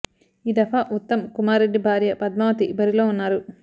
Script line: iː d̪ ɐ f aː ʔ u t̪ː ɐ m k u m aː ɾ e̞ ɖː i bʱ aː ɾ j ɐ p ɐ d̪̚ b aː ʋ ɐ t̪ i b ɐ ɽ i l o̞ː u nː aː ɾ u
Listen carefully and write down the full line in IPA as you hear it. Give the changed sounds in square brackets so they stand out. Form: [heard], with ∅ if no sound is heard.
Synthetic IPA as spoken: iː d̪ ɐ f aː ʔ u t̪ː ɐ m k u m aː ɾ e̞ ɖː i bʱ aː ɾ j ɐ p ɐ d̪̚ [m] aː ʋ ɐ t̪ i b ɐ [ɾ] i l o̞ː u nː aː ɾ u